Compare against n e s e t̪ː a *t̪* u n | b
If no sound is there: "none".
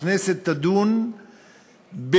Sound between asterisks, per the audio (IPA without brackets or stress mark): d̪